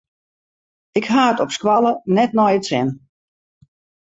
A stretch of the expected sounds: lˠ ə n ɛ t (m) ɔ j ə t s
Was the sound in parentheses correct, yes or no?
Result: no